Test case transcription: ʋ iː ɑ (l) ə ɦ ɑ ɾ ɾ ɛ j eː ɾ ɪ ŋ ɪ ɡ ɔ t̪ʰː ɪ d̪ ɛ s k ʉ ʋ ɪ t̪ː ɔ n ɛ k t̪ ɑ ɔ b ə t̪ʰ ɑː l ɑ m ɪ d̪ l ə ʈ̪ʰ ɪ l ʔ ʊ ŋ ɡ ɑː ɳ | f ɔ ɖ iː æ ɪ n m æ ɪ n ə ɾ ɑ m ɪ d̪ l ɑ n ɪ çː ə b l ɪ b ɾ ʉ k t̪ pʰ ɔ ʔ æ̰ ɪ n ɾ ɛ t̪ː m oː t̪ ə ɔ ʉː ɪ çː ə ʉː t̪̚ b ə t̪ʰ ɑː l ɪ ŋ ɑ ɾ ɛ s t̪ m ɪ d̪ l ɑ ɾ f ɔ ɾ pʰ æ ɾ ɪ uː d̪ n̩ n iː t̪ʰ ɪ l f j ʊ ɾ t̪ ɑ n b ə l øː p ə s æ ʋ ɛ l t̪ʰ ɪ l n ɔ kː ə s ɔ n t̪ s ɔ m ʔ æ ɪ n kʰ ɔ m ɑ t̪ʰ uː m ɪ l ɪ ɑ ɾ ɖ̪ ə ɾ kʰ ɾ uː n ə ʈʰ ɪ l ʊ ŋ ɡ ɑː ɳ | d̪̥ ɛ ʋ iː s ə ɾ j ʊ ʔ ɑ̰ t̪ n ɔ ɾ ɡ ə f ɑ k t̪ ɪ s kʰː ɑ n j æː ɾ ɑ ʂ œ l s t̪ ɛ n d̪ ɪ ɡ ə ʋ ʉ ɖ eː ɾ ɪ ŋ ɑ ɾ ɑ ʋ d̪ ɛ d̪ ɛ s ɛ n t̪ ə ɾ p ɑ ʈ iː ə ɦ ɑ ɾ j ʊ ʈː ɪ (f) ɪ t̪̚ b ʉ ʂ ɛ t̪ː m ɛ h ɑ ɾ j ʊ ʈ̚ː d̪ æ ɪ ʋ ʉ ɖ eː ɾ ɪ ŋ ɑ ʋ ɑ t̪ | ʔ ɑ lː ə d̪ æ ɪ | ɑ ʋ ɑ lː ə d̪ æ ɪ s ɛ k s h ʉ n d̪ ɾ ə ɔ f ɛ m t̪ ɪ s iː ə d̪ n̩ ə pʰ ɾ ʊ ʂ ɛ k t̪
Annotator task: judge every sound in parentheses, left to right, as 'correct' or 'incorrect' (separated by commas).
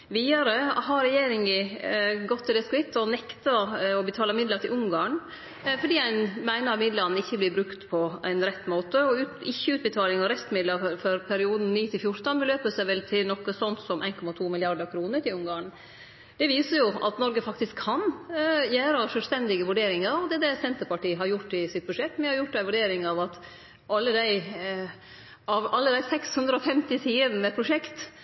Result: incorrect, incorrect